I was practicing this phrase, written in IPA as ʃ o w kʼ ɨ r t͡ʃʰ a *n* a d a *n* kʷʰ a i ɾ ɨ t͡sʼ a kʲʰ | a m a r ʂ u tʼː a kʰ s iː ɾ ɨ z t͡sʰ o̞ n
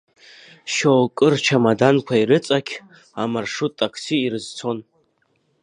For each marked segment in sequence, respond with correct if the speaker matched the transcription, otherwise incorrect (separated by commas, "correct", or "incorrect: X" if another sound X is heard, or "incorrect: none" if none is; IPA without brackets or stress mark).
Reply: incorrect: m, correct